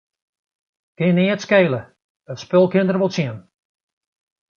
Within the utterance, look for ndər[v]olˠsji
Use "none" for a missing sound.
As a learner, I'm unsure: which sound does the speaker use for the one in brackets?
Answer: ʋ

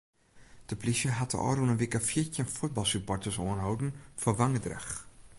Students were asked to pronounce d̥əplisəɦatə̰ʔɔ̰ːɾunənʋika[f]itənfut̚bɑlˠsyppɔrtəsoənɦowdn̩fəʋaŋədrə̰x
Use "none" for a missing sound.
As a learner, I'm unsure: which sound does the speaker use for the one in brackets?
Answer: f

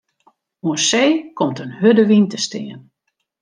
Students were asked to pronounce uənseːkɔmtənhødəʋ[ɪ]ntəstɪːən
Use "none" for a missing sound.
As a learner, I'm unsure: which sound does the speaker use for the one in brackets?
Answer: i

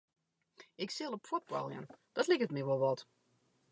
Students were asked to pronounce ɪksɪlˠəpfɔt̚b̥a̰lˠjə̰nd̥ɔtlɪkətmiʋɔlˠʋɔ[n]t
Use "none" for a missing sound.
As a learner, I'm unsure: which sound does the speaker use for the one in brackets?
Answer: none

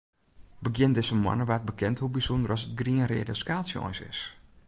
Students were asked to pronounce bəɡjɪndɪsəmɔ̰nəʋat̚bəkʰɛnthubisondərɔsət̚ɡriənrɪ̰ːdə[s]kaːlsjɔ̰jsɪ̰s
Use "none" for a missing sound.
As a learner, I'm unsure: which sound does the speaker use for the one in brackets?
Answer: s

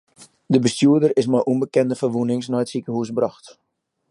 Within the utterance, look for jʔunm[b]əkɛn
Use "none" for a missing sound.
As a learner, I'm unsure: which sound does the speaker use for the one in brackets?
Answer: b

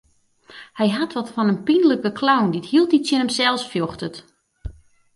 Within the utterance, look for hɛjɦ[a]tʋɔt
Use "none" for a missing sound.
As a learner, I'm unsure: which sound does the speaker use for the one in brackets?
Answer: a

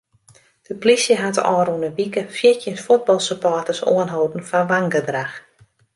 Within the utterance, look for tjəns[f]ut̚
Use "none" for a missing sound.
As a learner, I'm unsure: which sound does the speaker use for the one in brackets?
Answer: f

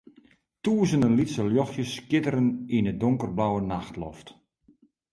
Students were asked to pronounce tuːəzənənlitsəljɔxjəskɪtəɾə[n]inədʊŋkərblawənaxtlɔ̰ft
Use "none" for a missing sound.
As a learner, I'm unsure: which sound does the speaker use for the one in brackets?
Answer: n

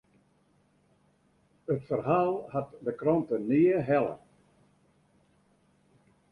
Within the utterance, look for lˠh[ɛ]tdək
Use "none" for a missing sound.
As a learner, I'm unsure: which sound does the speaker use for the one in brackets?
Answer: a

